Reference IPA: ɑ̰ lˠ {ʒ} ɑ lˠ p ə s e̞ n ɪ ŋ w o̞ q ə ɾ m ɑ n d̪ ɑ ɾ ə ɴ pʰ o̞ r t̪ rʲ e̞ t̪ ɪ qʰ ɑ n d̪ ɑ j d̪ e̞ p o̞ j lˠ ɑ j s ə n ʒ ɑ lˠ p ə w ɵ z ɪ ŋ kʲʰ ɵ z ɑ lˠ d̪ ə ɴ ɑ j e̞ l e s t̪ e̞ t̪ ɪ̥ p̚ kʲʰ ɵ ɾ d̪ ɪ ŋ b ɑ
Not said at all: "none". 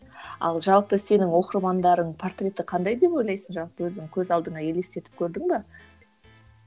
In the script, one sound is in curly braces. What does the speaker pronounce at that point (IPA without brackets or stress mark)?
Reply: ʒ